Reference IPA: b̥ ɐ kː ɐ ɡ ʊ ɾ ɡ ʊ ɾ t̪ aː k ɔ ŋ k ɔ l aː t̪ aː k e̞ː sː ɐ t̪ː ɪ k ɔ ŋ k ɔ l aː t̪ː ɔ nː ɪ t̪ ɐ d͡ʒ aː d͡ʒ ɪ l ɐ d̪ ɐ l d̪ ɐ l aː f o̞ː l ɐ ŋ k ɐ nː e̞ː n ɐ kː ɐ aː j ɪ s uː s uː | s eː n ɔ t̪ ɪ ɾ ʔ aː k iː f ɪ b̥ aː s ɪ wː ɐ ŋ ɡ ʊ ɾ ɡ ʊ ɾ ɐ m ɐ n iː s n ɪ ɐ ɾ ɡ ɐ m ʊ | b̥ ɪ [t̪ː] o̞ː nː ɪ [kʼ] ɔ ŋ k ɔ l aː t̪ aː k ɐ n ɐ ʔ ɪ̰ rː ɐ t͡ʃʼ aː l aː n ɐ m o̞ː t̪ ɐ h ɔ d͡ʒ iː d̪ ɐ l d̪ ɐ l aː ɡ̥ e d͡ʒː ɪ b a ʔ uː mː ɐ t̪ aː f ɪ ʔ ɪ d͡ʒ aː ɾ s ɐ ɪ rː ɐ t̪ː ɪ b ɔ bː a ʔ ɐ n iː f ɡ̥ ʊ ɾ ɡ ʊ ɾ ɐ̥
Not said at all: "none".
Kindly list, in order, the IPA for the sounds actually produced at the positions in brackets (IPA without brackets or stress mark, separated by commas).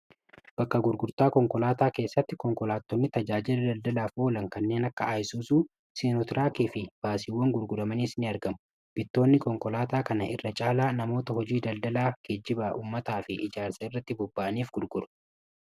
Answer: t̪ː, k